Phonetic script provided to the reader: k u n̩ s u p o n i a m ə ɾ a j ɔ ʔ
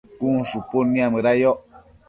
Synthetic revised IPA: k u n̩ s u p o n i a m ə ɾ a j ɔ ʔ